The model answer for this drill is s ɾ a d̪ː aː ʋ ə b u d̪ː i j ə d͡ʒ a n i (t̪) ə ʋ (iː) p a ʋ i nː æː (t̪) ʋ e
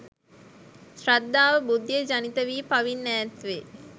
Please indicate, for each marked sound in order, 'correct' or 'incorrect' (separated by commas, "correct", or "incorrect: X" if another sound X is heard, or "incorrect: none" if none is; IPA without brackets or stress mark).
correct, correct, correct